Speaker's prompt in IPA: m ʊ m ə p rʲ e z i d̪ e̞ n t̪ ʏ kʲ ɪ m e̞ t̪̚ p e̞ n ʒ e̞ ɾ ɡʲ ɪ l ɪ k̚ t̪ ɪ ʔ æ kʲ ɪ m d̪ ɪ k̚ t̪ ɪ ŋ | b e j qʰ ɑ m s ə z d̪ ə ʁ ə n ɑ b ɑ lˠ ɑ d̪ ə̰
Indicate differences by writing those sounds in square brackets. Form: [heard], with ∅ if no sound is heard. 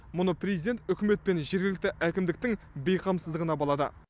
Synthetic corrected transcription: m ʊ [n] ə p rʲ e z i d̪ e̞ n t̪ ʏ kʲ ɪ m e̞ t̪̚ p e̞ n ʒ e̞ ɾ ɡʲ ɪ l ɪ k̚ t̪ ɪ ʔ æ kʲ ɪ m d̪ ɪ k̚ t̪ ɪ ŋ | b e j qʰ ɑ m s ə z d̪ ə ʁ ə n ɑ b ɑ lˠ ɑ d̪ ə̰